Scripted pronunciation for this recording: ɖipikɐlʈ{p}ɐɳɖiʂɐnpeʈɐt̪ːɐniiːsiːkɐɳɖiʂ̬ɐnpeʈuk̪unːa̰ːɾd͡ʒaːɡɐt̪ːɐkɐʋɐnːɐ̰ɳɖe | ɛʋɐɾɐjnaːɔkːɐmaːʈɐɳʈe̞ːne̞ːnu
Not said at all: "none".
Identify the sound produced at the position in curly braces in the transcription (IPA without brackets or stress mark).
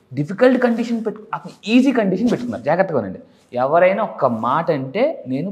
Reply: k